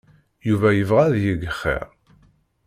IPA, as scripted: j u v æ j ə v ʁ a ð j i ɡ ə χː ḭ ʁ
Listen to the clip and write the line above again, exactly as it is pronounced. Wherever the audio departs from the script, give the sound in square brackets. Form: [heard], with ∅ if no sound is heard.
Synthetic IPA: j u v æ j ə v ʁ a ð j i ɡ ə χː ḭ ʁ